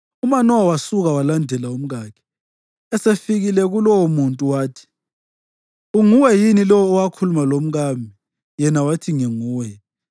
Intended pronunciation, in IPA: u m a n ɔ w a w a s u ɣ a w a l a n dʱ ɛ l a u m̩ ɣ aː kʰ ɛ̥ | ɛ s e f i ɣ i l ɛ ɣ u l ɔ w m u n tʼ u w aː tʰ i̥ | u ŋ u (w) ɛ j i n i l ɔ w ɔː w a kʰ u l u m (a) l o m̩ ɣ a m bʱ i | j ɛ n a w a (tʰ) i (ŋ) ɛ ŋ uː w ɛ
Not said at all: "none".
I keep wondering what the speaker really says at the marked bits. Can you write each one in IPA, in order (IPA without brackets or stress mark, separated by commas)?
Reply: w, a, tʰ, ŋ